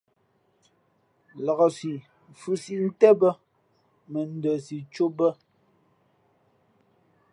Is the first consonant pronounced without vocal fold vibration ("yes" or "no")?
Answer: no